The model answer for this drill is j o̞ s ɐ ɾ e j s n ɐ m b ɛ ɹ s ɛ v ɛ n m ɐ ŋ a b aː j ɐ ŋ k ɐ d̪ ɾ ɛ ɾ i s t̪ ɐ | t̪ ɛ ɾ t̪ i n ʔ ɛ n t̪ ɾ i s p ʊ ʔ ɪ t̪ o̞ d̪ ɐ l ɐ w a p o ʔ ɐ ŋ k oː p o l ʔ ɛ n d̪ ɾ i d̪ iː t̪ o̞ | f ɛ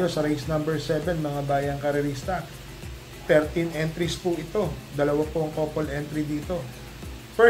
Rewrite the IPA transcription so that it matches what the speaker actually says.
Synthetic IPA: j o̞ s ɐ ɾ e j s n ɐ m b ɛ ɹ s ɛ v ɛ n m ɐ ŋ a b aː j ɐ ŋ k ɐ ɾ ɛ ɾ i s t̪ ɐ | t̪ ɛ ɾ t̪ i n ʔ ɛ n t̪ ɾ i s p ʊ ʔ ɪ t̪ o̞ d̪ ɐ l ɐ w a p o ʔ ɐ ŋ k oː p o l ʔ ɛ n t̪ ɾ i d̪ iː t̪ o̞ | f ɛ